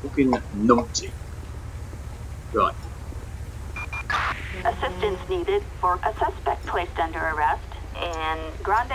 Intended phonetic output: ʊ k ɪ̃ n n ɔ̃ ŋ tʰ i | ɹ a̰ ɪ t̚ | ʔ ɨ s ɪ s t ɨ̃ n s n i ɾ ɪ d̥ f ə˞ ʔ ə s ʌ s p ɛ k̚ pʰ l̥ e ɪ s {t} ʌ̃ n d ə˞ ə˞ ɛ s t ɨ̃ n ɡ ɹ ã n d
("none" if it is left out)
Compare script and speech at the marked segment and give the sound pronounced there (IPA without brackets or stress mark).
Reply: t